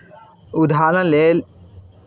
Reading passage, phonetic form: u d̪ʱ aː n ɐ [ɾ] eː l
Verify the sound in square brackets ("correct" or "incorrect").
incorrect